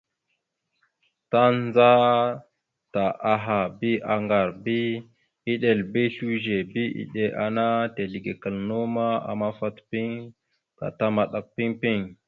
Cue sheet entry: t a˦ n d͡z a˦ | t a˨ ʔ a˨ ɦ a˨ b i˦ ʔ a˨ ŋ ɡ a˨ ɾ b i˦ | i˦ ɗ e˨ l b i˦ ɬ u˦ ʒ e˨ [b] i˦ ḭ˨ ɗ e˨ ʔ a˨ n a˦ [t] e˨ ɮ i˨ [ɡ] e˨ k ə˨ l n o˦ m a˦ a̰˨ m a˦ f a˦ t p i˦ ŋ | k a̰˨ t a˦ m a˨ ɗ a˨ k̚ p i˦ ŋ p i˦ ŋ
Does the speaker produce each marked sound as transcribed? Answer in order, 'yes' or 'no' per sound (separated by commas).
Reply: yes, yes, yes